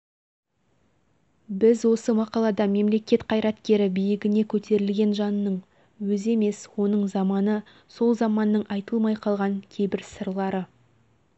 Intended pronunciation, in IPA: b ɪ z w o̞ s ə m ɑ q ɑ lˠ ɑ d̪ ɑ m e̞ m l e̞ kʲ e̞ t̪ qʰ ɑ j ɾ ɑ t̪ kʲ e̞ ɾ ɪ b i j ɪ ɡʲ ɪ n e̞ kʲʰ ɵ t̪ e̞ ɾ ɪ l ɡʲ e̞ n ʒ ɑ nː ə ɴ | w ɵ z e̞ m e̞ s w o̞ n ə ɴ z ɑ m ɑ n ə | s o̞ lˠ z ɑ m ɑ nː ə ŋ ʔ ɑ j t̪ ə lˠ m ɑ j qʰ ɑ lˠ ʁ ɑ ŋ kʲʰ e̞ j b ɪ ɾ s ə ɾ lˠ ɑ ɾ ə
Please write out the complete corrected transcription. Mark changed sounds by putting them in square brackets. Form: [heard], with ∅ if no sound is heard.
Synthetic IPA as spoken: b ɪ z w o̞ s ə m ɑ q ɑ lˠ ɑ d̪ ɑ m e̞ m l e̞ kʲ e̞ t̪ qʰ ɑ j ɾ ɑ t̪ kʲ e̞ ɾ ɪ b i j ɪ ɡʲ ɪ n e̞ kʲʰ ɵ t̪ e̞ ɾ ɪ l ɡʲ e̞ n ʒ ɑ nː ə ɴ | w ɵ z e̞ m e̞ s w o̞ n ə ɴ z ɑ m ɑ n ə | s o̞ lˠ z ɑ m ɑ nː ə [ɴ] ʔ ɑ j t̪ ə lˠ m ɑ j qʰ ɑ lˠ ʁ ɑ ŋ kʲʰ e̞ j b ɪ ɾ s ə ɾ lˠ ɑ ɾ ə